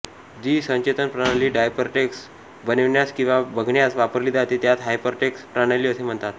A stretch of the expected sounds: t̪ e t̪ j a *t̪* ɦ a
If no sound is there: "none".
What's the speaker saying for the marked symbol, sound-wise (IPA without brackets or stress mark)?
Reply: t̪